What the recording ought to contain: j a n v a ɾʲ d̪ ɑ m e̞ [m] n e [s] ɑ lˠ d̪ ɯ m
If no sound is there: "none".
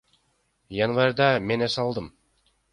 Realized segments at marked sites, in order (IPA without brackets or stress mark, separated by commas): none, s